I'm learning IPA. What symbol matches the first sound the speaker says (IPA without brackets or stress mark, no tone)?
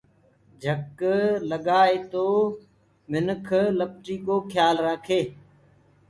d͡ʒʱ